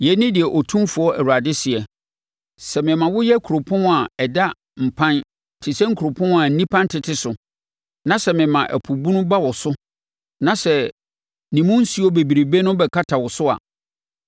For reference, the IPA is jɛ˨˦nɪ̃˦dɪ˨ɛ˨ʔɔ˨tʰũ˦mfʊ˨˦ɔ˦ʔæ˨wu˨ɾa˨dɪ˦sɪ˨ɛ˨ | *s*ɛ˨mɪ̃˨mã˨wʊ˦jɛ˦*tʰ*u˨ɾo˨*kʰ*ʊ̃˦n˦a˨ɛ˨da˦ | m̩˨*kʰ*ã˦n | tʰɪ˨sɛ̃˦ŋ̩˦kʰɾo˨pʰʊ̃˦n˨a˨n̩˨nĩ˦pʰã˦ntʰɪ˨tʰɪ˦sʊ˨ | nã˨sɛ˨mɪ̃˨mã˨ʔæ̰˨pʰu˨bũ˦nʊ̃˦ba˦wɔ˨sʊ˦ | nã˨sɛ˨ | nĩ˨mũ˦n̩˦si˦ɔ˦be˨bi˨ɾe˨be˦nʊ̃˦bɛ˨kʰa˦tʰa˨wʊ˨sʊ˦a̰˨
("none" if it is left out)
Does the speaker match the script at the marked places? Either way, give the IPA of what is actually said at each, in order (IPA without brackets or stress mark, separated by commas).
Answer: s, kʰ, pʰ, pʰ